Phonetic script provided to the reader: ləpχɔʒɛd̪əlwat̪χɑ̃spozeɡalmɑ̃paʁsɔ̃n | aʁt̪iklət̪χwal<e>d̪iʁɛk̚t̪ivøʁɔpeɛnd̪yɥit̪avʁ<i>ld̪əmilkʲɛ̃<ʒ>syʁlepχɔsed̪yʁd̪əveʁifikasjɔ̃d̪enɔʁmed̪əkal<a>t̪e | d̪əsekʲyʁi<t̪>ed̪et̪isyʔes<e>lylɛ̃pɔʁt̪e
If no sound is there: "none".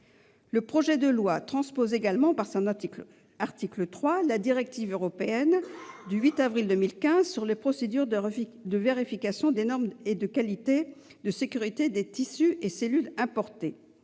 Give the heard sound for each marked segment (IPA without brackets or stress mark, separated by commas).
a, i, z, i, t̪, e